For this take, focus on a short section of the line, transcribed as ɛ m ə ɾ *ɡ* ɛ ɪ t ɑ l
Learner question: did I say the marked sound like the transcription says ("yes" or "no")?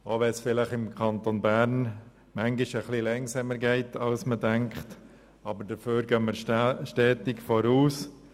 yes